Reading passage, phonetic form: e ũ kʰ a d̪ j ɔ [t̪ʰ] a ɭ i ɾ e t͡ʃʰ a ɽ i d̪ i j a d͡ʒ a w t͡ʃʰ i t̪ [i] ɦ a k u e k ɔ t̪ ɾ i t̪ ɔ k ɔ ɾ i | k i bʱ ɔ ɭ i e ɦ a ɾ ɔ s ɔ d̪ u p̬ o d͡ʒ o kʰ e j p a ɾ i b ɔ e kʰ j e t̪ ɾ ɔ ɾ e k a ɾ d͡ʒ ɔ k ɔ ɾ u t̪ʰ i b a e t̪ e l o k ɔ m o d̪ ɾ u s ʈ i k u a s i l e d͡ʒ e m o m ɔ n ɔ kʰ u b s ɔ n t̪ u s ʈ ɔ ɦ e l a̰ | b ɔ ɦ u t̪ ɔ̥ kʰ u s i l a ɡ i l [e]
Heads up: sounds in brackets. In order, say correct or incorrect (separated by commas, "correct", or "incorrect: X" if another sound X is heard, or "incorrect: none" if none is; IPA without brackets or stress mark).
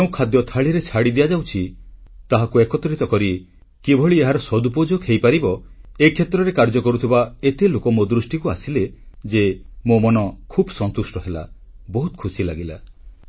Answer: correct, incorrect: a, incorrect: a